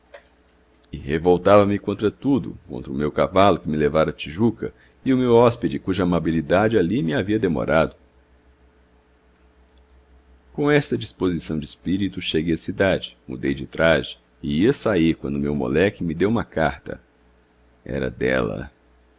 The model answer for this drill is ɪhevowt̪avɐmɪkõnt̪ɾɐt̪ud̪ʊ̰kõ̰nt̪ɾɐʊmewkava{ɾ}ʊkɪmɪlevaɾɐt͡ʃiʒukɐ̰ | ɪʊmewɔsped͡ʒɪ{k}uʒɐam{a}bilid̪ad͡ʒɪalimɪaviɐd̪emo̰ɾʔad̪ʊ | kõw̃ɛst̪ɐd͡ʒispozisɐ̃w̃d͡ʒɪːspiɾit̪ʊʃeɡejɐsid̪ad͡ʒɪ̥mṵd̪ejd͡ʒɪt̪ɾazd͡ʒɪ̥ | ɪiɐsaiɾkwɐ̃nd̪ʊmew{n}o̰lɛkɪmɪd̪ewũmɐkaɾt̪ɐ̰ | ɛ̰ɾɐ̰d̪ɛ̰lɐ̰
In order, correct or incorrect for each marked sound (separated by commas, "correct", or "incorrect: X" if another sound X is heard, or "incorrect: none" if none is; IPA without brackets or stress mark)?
incorrect: l, correct, correct, incorrect: m